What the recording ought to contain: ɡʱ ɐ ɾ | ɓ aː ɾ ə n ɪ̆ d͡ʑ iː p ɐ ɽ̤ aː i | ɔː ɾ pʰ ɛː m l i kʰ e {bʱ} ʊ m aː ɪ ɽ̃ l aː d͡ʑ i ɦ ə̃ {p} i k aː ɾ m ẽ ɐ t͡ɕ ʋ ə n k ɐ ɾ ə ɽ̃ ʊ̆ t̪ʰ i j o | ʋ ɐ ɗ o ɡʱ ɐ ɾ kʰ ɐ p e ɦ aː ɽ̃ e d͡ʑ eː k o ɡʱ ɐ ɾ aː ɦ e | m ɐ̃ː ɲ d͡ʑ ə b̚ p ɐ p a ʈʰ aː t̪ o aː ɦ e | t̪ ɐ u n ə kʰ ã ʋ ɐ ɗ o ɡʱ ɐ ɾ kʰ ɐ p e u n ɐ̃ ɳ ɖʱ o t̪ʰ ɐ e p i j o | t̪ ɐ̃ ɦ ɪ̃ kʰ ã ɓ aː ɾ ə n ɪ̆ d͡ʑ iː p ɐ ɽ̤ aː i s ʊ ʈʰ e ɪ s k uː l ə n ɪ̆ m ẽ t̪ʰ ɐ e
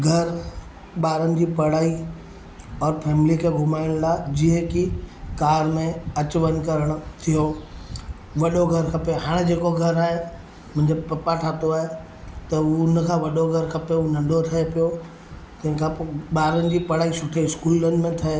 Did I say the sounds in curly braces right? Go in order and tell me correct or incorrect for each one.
incorrect, incorrect

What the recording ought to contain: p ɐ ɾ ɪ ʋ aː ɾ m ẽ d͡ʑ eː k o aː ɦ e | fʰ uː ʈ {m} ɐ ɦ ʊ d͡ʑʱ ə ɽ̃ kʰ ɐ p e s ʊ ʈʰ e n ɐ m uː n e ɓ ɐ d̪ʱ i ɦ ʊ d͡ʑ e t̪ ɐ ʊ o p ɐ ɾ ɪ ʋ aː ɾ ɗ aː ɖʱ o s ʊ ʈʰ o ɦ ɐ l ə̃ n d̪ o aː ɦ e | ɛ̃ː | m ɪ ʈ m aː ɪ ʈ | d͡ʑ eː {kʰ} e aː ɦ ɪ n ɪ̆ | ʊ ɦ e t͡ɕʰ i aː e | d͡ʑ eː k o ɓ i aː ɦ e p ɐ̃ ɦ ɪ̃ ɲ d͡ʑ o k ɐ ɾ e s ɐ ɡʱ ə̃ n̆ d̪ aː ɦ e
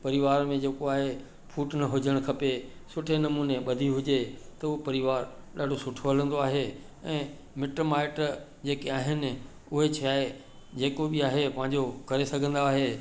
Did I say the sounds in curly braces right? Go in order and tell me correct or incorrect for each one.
incorrect, incorrect

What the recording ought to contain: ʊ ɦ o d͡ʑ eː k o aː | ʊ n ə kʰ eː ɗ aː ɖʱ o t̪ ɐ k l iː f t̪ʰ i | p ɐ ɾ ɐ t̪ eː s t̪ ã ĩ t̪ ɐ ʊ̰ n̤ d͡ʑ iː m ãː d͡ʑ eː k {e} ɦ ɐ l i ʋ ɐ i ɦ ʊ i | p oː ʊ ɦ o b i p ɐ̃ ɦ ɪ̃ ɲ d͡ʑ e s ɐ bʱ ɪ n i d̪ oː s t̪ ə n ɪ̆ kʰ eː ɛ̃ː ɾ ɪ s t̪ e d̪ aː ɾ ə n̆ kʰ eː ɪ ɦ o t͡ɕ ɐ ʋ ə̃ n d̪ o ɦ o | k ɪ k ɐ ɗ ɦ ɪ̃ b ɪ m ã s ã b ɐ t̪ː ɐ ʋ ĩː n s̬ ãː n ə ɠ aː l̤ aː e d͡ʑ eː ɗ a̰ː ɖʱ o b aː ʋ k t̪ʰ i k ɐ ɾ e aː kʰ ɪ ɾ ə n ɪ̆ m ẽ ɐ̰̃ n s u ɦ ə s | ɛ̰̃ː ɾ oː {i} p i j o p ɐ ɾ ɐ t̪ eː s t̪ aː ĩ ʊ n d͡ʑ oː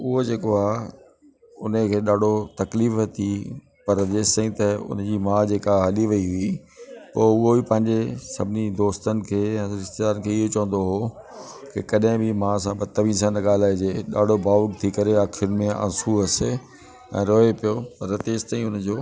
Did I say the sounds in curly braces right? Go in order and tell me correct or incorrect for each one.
incorrect, incorrect

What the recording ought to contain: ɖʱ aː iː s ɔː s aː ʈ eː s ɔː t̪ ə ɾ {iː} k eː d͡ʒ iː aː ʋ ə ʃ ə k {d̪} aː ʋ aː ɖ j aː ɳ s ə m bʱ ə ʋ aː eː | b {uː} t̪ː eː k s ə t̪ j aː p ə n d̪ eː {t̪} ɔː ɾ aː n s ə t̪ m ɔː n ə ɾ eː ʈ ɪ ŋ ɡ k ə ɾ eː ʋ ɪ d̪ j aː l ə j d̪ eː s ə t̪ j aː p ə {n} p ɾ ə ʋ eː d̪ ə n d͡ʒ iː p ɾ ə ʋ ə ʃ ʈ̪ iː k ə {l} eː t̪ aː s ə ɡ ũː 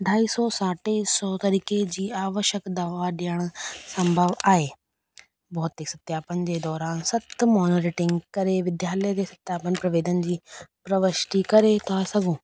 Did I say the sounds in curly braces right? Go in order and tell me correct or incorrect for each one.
correct, correct, incorrect, incorrect, correct, incorrect

